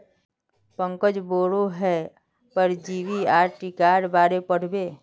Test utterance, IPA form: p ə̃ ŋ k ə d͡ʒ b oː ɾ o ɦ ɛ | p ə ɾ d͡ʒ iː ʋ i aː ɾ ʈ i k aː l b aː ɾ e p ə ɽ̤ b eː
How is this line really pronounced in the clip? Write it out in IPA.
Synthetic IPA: p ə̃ ŋ k ə d͡ʒ b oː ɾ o ɦ ɛ | p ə ɾ d͡ʒ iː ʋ i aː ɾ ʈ i k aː ɾ b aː ɾ e p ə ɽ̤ b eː